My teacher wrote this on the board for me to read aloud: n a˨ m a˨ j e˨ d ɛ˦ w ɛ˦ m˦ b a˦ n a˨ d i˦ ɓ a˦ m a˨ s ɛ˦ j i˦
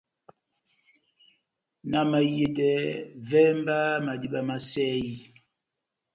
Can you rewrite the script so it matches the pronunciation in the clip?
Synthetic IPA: n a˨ m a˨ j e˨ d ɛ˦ v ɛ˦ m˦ b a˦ m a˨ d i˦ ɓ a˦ m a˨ s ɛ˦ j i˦